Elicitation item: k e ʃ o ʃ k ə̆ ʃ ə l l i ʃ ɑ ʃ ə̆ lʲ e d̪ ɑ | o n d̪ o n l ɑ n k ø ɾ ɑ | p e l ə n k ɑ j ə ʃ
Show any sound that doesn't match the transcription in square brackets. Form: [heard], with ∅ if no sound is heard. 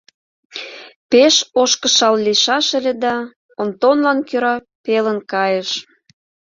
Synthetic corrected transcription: [p] e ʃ o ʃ k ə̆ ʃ [ɑ] l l i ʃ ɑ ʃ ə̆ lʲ e d̪ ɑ | o n [t̪] o n l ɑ n k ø ɾ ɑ | p e l ə n k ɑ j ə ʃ